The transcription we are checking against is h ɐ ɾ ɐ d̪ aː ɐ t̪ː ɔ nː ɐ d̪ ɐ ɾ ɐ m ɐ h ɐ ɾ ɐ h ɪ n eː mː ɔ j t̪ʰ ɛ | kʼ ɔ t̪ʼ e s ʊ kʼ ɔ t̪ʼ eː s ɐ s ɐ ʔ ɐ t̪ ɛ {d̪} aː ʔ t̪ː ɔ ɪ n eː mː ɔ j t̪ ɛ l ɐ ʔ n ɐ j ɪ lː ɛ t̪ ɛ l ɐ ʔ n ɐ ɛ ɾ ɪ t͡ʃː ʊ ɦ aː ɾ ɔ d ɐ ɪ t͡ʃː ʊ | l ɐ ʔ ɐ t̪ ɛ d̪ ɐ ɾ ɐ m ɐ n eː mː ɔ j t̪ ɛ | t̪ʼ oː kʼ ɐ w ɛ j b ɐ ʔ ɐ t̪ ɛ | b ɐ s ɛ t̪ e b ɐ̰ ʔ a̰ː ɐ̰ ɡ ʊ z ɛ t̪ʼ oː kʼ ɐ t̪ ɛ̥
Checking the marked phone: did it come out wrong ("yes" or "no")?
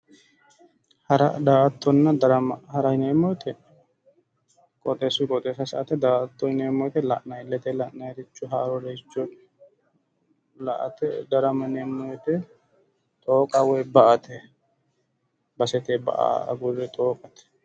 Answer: no